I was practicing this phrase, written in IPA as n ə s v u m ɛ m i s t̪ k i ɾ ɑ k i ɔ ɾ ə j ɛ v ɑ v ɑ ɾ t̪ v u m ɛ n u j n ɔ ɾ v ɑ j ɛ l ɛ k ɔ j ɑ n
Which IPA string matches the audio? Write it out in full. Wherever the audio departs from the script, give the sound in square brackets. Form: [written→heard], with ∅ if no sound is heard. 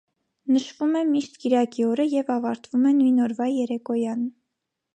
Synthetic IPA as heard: n ə [s→ʃ] v u m ɛ m i [s→ʃ] t̪ k i ɾ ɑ k i ɔ ɾ ə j ɛ v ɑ v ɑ ɾ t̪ v u m ɛ n u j n ɔ ɾ v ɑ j ɛ [l→ɾ] ɛ k ɔ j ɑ n